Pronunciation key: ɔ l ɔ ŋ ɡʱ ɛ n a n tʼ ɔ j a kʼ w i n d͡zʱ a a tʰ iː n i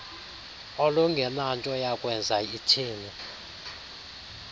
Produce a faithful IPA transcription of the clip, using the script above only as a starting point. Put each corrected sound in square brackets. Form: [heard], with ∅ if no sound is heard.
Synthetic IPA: ɔ l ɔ ŋ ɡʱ ɛ n a n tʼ ɔ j a kʼ w [ɛ] n d͡zʱ a [i] tʰ iː n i